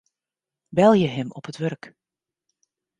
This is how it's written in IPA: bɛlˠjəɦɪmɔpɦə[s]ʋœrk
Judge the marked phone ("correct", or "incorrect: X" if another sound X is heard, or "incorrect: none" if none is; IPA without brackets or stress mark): incorrect: t